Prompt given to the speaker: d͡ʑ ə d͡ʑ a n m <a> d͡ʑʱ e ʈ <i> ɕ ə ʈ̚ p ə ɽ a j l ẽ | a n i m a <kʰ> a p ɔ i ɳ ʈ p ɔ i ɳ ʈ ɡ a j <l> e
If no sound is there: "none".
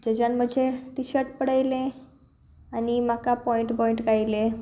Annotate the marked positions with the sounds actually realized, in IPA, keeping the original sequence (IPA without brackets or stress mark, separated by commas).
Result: ə, i, k, l